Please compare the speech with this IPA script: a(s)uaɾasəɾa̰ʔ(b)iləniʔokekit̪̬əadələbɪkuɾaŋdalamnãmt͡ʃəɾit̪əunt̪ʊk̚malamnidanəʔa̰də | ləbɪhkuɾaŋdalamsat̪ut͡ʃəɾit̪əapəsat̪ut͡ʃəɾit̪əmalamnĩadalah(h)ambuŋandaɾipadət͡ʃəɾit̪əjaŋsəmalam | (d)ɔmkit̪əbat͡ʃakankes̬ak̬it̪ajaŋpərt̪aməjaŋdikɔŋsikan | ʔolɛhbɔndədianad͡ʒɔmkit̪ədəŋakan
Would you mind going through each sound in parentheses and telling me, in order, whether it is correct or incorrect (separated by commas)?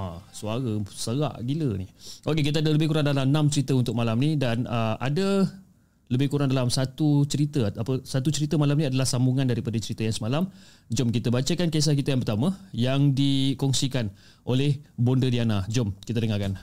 correct, incorrect, incorrect, incorrect